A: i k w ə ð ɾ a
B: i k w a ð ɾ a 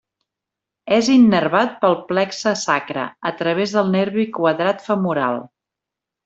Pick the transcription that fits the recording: A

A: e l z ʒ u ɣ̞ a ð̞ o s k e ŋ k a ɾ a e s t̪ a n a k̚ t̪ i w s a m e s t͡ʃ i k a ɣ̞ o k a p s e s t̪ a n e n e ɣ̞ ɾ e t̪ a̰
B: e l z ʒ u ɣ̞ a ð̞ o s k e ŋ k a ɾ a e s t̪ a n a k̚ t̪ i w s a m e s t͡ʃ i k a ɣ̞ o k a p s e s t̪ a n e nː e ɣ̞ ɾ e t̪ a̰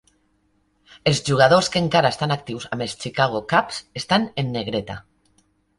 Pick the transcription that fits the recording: B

